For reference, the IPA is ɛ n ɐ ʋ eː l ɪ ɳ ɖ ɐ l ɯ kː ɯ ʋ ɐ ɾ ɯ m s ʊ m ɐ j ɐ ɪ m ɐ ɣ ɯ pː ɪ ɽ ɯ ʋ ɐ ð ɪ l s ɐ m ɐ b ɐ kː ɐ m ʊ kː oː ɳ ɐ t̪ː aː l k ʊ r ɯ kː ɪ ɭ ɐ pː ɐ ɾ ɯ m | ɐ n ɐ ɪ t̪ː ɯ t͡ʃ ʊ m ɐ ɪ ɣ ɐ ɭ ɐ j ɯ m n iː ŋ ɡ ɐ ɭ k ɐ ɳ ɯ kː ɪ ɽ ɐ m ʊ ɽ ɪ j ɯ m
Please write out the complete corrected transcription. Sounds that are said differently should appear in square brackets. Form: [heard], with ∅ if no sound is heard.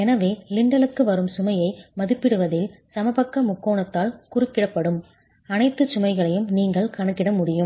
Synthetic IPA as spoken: ɛ n ɐ ʋ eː l ɪ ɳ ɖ ɐ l ɯ kː ɯ ʋ ɐ ɾ ɯ m s ʊ m ɐ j ɐ ɪ m ɐ [ð] ɯ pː ɪ ɽ ɯ ʋ ɐ ð ɪ l s ɐ m ɐ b ɐ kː ɐ m ʊ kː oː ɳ ɐ t̪ː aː l k ʊ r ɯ kː ɪ [ɽ] ɐ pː ɐ [ɽ] ɯ m | ɐ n ɐ ɪ t̪ː ɯ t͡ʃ ʊ m ɐ ɪ ɣ ɐ ɭ ɐ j ɯ m n iː ŋ ɡ ɐ ɭ k ɐ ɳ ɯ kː ɪ ɽ ɐ m ʊ ɽ ɪ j ɯ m